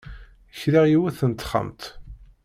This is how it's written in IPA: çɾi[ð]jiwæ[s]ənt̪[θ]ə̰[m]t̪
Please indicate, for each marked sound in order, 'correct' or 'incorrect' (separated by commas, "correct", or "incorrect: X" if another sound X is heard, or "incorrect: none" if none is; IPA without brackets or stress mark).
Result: incorrect: ʁ, incorrect: θ, incorrect: χ, correct